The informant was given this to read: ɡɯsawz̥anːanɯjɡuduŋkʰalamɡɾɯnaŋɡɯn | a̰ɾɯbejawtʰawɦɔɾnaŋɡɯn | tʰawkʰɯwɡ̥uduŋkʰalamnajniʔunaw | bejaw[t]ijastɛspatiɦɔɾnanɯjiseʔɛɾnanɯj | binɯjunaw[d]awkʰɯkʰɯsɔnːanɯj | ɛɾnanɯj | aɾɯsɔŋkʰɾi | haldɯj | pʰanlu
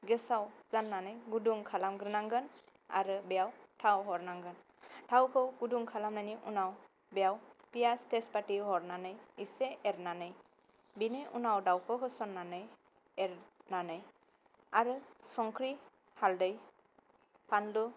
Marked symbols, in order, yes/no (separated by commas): no, yes